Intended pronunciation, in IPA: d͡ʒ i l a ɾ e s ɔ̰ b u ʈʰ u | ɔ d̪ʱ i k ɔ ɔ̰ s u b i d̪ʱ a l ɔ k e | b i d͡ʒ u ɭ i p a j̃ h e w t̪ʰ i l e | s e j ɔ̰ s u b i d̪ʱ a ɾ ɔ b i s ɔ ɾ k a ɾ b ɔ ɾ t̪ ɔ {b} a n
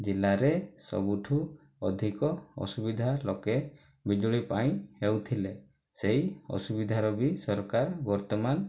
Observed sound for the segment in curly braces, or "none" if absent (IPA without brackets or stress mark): m